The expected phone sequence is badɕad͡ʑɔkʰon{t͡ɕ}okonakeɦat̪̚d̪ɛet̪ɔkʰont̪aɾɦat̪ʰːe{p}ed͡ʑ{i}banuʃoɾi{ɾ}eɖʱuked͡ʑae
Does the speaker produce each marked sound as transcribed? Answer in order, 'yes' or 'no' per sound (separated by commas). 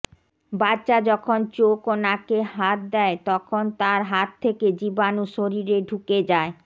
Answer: yes, no, yes, yes